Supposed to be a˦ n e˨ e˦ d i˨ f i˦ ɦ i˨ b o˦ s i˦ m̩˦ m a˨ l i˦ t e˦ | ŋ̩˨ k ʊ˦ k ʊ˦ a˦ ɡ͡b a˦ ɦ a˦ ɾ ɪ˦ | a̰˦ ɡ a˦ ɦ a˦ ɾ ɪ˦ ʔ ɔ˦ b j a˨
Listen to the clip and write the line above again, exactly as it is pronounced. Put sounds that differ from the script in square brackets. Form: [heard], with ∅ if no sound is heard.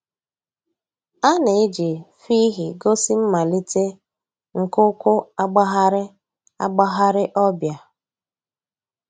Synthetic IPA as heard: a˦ n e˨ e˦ [d͡ʒ] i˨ f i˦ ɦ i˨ [ɡ] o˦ s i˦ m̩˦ m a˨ l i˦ t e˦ | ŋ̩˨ k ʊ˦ k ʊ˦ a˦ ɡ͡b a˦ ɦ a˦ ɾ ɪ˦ | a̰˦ [ɡ͡b] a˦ ɦ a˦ ɾ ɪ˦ ʔ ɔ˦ b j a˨